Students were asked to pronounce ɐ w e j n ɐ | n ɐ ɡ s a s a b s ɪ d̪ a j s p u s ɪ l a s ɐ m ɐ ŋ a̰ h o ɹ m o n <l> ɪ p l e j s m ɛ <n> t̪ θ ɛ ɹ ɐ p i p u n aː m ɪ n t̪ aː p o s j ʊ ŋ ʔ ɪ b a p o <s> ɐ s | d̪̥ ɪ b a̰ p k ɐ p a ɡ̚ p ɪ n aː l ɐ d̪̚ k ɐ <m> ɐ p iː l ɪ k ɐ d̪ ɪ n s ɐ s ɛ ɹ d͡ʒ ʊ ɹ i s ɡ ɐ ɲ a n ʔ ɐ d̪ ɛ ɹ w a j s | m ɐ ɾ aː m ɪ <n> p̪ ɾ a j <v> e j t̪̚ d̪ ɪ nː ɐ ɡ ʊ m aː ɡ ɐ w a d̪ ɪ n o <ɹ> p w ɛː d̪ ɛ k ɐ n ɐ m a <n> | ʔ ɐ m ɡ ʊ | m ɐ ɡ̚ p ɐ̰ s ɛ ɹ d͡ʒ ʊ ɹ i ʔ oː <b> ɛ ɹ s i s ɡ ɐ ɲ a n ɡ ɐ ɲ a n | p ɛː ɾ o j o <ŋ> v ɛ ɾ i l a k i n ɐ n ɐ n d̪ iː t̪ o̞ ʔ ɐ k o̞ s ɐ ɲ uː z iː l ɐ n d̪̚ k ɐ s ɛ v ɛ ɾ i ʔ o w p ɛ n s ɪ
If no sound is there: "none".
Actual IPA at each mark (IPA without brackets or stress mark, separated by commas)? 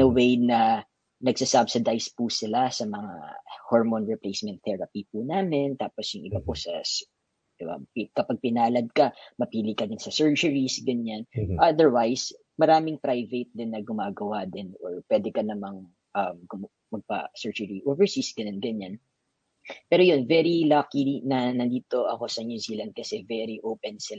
ɹ, n, s, m, ŋ, v, ɹ, ŋ, v, n